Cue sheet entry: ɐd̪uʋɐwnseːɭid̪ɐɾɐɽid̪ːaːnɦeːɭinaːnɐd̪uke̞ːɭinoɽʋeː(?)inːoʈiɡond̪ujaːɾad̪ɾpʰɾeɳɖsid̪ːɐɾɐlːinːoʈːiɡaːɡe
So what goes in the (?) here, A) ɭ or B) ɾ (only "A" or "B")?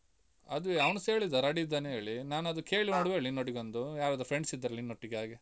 A